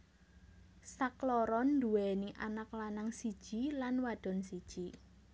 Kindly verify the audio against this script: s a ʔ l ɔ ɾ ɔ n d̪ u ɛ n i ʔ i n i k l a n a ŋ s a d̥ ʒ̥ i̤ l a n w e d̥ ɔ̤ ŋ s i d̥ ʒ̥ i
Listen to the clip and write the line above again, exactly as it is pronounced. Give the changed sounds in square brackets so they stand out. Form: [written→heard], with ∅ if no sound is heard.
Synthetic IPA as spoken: s a [ʔ→k] l ɔ ɾ ɔ n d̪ u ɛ n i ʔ [i→a] n [i→a] k l a n a ŋ s [a→i] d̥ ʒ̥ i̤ l a n w [e→a] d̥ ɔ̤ [ŋ→n] s i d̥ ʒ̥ i